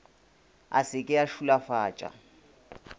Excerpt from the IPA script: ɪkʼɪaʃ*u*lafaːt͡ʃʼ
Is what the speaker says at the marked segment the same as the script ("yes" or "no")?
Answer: yes